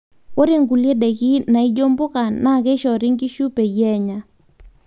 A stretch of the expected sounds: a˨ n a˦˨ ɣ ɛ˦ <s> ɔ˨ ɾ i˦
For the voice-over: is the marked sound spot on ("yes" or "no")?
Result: no